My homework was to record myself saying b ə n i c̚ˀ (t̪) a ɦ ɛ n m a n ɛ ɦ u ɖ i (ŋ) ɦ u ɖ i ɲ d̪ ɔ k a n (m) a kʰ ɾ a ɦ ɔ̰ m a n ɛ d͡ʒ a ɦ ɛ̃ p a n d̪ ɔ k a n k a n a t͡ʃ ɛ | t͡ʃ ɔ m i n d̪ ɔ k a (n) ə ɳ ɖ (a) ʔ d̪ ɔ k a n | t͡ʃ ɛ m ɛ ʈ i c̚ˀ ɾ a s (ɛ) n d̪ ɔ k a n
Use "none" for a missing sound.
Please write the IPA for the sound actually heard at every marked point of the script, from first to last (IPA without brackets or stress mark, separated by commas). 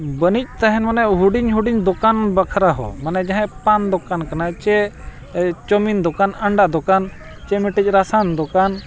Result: t̪, ɲ, b, n, a, a